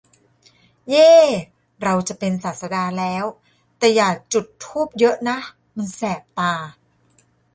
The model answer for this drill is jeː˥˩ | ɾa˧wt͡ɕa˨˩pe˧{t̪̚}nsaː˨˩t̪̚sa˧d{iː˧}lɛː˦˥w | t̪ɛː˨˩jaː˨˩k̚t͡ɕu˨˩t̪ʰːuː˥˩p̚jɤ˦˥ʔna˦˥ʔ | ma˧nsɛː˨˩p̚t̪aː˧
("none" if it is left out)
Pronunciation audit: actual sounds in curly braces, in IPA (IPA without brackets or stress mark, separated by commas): none, aː˧